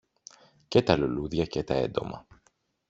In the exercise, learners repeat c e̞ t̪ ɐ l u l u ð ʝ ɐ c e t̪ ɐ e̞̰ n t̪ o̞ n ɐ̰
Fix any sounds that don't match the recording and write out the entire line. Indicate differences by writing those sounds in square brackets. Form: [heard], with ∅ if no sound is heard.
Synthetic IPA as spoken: c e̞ t̪ ɐ l u l u ð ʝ ɐ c e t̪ ɐ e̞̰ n [d̪] o̞ [m] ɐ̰

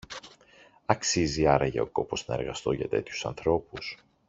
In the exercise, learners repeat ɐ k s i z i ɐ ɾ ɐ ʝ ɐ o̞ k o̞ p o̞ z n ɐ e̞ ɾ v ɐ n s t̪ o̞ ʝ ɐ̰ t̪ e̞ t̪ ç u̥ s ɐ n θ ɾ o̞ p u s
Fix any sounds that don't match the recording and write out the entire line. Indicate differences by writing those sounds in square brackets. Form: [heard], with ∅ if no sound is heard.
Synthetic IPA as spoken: ɐ k s i z i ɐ ɾ ɐ ʝ ɐ o̞ k o̞ p o̞ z n ɐ e̞ ɾ [ɣ] ɐ [∅] s t̪ o̞ ʝ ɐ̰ t̪ e̞ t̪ ç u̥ s ɐ n θ ɾ o̞ p u s

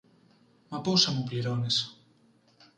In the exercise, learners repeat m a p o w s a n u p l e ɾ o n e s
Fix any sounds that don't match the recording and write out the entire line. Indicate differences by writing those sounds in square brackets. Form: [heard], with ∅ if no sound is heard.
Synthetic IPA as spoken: m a p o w s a [m] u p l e ɾ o n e s

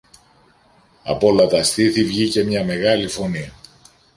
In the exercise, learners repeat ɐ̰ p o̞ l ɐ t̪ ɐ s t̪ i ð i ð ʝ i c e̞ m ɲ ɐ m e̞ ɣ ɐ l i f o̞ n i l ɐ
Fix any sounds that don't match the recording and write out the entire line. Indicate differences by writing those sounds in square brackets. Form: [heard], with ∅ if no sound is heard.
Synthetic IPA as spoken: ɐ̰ p o̞ l ɐ t̪ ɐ s t̪ i [θ] i [v] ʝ i c e̞ m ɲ ɐ m e̞ ɣ ɐ l i f o̞ n i [∅] ɐ

